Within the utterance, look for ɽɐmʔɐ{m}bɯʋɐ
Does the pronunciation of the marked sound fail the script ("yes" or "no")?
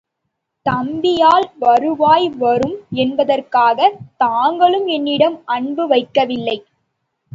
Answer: yes